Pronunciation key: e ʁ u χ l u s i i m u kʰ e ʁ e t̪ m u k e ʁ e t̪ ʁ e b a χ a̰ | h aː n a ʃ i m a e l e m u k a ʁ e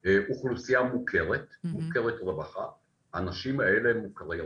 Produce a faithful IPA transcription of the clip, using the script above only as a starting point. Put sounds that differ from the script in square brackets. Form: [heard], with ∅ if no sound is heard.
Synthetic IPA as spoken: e [∅] u χ l u s i [a] m u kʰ e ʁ e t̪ m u k e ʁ e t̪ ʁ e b a χ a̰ | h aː n a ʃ i m a e l e m u k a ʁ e